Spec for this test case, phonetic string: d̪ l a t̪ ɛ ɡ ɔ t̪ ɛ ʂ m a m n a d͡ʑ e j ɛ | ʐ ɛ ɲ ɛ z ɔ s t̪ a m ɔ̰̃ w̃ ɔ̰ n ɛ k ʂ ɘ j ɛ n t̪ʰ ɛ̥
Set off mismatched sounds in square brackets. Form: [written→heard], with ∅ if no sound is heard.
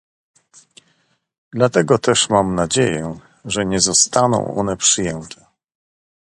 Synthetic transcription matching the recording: d̪ l a t̪ ɛ ɡ ɔ t̪ ɛ ʂ m a m n a d͡ʑ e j ɛ | ʐ ɛ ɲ ɛ z ɔ s t̪ a [m→n] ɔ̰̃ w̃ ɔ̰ n ɛ [k→p] ʂ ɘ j ɛ n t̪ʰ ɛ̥